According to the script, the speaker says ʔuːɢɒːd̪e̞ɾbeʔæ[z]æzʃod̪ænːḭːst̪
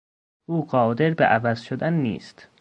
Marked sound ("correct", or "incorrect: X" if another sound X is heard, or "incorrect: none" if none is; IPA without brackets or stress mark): incorrect: v